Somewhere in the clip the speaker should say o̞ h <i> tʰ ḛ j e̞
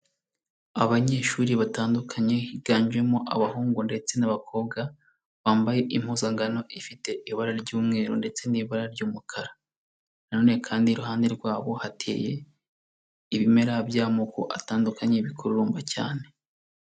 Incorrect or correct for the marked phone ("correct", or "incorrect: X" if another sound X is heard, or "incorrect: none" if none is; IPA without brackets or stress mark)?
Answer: incorrect: a